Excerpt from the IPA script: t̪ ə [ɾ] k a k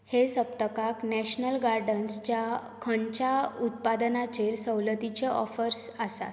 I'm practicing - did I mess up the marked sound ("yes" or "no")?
yes